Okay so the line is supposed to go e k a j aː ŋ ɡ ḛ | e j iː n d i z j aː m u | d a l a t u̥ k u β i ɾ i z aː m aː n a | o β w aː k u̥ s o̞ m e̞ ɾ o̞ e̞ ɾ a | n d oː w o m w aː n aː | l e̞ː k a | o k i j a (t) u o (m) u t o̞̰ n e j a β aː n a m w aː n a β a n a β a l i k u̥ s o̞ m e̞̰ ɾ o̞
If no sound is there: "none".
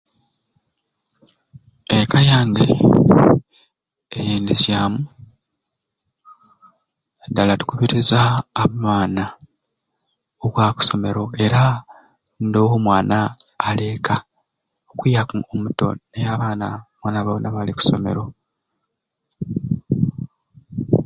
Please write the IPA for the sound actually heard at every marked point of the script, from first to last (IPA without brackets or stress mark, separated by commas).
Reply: k, m